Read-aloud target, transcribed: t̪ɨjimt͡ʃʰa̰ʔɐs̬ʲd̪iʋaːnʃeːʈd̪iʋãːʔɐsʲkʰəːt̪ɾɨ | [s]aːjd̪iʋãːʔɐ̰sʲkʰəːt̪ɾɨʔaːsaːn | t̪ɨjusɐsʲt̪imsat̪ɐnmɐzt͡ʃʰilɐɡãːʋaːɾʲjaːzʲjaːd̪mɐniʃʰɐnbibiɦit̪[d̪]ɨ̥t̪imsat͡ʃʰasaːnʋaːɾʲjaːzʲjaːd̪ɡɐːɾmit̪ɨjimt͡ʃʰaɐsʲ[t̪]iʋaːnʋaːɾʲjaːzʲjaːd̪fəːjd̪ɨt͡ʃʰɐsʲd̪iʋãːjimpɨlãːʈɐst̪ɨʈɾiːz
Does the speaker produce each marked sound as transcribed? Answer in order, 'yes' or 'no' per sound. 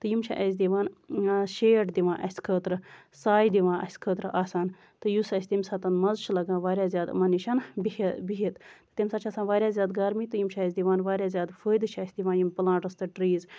yes, no, no

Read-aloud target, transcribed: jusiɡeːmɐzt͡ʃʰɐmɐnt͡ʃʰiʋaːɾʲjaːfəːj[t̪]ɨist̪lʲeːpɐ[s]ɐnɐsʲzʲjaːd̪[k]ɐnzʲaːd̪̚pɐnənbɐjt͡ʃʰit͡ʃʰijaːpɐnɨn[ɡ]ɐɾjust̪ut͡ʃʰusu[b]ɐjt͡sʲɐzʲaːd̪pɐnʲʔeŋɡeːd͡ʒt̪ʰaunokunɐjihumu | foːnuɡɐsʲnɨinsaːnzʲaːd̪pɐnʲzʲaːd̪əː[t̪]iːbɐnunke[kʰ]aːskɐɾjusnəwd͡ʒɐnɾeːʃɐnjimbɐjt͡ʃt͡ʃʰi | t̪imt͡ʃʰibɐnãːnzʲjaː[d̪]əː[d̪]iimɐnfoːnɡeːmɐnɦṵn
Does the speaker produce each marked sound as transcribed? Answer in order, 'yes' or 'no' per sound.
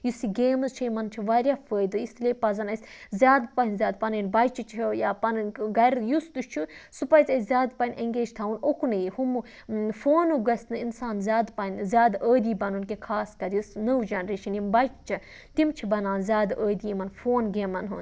no, no, no, yes, no, no, yes, yes, yes

